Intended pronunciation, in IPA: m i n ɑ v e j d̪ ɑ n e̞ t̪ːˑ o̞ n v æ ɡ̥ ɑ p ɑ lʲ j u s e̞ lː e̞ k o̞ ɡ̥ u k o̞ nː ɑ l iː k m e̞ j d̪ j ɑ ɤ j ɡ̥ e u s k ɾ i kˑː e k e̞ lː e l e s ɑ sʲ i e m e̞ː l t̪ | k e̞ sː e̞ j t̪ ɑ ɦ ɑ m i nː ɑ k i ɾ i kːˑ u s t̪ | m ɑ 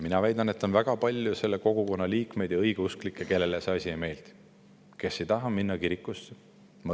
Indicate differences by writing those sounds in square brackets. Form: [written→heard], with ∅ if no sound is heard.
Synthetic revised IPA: m i n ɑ v [e→æ] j d̪ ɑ n e̞ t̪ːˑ o̞ n v æ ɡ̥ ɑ p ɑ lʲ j u s e̞ lː e̞ k o̞ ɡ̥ u k o̞ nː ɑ l iː k m e̞ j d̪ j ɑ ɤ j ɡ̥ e u s k [ɾ→l] i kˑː e k e̞ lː e l e s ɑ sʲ i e m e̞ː l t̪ | k e̞ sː e̞ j t̪ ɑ ɦ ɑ m i nː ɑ k i ɾ i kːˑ u s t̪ | m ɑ